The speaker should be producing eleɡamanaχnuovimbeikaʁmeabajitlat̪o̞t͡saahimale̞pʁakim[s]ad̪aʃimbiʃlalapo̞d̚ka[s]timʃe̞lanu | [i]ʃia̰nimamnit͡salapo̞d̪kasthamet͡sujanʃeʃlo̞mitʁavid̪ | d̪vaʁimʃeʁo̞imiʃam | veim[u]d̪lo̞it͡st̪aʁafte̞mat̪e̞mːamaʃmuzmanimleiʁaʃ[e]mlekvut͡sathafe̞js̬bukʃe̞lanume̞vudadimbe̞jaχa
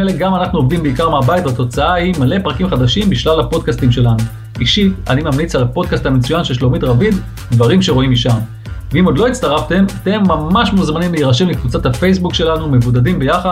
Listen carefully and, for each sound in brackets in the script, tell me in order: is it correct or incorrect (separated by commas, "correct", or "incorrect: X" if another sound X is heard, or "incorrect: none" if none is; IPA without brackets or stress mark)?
incorrect: χ, correct, correct, incorrect: o, correct